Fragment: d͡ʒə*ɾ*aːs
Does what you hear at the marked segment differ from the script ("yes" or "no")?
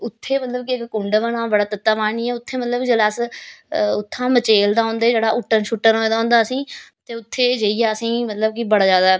yes